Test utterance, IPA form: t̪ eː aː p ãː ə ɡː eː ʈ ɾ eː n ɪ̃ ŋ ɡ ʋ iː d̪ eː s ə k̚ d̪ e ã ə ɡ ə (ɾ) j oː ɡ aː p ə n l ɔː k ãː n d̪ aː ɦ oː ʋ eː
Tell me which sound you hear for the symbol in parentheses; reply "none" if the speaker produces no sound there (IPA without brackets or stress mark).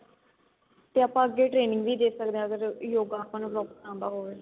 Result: ɾ